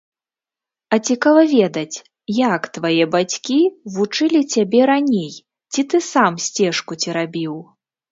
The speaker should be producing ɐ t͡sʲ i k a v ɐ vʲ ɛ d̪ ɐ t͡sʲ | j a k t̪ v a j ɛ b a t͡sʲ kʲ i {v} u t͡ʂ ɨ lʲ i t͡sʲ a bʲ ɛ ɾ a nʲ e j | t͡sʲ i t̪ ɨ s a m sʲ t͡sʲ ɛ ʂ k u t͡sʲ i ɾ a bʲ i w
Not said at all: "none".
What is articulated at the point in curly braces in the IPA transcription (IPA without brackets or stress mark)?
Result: v